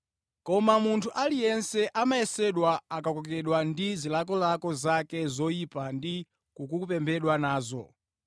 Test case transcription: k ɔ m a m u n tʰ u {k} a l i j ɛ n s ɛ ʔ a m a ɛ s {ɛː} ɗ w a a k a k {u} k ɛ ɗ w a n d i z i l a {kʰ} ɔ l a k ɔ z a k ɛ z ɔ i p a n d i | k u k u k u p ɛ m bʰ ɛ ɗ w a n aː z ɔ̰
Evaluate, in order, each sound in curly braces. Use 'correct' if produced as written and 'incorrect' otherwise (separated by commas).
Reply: incorrect, incorrect, incorrect, incorrect